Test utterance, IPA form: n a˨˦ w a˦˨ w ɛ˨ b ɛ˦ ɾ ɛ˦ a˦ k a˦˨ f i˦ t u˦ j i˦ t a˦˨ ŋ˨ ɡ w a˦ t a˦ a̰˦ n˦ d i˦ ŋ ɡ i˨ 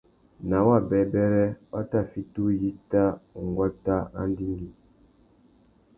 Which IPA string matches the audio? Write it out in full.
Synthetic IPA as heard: n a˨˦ w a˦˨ b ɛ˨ b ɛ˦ ɾ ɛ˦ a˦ t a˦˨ f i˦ t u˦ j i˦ t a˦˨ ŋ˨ ɡ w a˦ t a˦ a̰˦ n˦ d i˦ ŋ ɡ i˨

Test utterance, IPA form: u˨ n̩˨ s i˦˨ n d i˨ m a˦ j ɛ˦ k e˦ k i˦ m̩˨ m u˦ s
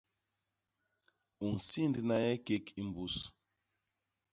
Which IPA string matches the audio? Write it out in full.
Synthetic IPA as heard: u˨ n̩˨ s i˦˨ n d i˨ n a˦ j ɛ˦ k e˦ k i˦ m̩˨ b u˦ s

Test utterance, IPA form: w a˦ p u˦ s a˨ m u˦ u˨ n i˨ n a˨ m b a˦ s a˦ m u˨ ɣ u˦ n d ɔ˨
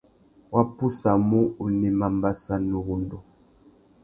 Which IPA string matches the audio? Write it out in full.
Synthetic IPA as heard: w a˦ p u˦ s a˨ m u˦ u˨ n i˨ m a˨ m b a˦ s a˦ n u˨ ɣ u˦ n d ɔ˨

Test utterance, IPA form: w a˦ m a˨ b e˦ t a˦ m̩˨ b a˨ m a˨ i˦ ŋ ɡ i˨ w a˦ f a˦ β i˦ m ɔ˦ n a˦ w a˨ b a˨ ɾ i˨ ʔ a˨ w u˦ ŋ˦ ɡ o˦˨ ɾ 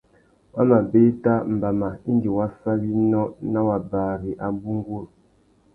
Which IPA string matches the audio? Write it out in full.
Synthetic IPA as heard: w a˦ m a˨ b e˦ t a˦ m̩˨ b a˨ m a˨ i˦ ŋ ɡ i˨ w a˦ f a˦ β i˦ n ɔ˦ n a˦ w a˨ b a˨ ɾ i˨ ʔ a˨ b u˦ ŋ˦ ɡ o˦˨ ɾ

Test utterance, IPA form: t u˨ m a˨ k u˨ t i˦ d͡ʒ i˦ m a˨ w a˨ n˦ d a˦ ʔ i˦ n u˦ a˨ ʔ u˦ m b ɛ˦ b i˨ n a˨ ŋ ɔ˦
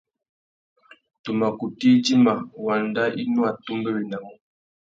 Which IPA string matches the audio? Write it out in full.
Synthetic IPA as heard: t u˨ m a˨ k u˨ t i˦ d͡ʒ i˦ m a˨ w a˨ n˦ d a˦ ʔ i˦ n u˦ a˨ t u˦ m b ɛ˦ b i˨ n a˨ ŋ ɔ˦

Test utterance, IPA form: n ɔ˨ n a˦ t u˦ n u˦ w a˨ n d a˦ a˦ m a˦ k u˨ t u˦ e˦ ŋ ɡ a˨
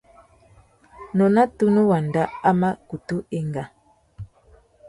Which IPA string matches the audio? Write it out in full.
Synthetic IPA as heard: n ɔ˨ n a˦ t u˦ n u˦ w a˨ n d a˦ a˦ m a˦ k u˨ t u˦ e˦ ŋ ɡ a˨

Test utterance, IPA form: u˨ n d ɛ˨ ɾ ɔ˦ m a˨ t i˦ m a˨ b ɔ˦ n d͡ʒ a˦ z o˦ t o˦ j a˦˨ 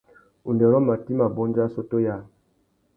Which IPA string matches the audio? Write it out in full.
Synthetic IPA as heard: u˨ n d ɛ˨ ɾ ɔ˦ m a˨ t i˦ m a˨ b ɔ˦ n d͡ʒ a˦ s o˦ t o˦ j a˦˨

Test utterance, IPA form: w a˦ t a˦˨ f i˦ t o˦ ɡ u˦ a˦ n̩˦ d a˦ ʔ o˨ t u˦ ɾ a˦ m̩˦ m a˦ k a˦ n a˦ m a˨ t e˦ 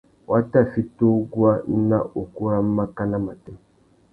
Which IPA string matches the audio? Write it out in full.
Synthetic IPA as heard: w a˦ t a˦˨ f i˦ t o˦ ɡ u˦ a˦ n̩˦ n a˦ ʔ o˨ k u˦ ɾ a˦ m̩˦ m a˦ k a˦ n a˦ m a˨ t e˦

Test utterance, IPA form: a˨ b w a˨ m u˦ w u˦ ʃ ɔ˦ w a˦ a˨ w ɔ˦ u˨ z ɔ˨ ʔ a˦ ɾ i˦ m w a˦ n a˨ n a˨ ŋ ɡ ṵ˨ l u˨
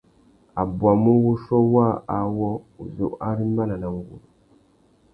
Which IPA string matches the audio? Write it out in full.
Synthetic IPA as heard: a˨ b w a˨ m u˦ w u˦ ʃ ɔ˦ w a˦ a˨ w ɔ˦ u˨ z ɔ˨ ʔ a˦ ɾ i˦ m b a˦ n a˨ n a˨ ŋ ɡ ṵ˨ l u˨

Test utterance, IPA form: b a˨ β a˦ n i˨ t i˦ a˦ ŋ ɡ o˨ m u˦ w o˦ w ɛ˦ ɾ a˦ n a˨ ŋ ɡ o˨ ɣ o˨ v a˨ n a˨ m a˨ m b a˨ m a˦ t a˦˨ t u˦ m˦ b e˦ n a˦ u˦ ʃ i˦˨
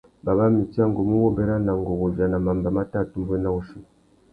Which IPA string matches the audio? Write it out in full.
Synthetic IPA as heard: b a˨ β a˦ m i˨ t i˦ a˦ ŋ ɡ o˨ m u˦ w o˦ b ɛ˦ ɾ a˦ n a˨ ŋ ɡ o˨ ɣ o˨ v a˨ n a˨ m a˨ m b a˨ m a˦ t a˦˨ t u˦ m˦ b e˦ n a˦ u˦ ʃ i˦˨

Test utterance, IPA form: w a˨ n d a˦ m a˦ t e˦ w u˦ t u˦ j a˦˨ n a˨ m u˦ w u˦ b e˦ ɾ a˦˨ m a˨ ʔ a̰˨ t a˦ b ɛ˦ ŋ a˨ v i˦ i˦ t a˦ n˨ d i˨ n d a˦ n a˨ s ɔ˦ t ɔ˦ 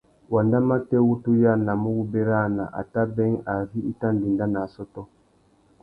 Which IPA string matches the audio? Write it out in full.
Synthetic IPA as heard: w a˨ n d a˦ m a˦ t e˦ w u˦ t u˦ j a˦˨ n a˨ m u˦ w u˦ b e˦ ɾ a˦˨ n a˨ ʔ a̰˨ t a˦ b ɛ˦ ŋ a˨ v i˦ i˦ t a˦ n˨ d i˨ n d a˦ n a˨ s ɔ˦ t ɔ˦

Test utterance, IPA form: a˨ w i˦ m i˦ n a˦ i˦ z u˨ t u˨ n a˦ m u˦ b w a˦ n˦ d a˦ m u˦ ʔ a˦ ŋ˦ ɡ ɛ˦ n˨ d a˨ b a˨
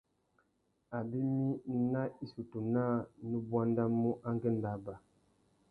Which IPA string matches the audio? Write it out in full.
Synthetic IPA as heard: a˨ b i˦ m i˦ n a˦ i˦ s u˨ t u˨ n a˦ n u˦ b w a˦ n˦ d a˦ m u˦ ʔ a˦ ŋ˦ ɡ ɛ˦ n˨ d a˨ b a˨

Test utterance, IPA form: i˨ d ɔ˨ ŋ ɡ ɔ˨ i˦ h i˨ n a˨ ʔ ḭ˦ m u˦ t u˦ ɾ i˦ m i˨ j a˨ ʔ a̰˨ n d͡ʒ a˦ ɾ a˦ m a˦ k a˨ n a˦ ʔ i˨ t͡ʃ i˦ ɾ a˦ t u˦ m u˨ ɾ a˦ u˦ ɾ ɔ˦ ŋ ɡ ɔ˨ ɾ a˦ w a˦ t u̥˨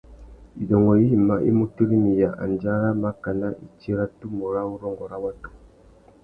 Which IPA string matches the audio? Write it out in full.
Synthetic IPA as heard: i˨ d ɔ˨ ŋ ɡ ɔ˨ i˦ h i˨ m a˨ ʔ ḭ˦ m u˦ t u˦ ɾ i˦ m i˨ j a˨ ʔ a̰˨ n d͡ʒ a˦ ɾ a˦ m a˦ k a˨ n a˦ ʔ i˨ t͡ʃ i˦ ɾ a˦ t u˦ m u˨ ɾ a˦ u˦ ɾ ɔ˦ ŋ ɡ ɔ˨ ɾ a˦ w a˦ t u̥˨

